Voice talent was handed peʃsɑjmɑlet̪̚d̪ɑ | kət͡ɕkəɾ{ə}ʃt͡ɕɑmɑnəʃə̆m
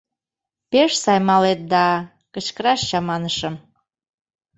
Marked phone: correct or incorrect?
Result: incorrect